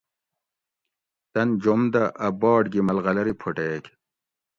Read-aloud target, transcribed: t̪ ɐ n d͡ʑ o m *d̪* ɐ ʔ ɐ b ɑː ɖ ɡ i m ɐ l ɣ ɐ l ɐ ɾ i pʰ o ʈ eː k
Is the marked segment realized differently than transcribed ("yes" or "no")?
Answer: no